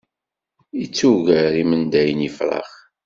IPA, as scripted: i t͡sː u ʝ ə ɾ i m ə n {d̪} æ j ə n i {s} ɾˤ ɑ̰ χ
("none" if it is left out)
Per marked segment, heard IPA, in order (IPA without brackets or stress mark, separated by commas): d̪, f